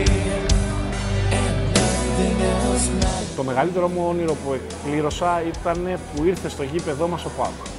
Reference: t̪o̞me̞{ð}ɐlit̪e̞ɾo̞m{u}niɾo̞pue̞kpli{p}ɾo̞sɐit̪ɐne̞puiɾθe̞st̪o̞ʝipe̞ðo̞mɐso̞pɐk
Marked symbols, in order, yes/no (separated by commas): no, no, no